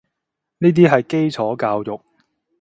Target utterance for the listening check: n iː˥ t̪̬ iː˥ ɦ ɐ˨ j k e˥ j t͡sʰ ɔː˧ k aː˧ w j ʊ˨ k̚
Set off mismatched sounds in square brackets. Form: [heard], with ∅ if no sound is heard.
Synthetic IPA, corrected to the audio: n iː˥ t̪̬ iː˥ ɦ ɐ˨ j k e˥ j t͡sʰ [ɔː˨˥] k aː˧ w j ʊ˨ k̚